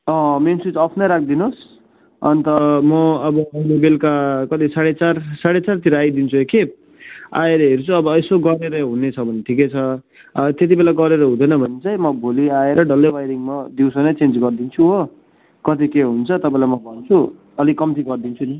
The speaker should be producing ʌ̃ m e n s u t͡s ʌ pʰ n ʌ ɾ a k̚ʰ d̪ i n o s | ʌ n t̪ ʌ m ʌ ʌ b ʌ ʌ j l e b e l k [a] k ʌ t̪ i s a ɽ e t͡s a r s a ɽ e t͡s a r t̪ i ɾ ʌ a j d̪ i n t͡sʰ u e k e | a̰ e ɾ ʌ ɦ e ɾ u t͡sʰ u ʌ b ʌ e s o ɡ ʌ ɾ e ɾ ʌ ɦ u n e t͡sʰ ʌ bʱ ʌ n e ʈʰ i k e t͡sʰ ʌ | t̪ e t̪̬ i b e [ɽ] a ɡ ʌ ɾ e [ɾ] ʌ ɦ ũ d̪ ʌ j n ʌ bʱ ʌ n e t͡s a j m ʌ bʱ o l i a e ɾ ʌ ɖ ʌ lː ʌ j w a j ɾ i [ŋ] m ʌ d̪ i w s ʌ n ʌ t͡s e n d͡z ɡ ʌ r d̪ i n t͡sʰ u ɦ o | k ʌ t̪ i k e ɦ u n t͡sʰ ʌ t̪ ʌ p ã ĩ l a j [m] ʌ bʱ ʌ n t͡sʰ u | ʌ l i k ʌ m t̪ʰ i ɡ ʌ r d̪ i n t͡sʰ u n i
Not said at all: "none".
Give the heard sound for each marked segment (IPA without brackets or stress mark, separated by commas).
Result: a, l, ɾ, ŋ, m